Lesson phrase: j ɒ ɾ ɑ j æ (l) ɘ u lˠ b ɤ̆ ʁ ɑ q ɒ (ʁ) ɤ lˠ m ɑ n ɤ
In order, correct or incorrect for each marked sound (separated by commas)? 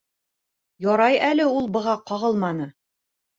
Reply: correct, correct